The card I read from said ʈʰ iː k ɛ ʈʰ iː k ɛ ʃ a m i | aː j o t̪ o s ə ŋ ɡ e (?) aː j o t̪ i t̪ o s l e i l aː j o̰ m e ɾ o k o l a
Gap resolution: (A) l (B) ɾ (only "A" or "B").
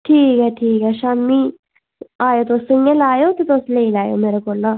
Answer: A